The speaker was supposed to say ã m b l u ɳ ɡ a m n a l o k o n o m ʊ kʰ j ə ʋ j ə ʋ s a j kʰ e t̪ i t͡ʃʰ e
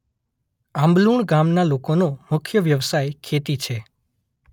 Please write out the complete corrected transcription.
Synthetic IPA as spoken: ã m b l u ɳ ɡ a m n a l o k o n o m ʊ kʰ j ə ʋ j ə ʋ s a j kʰ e t̪ i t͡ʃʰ e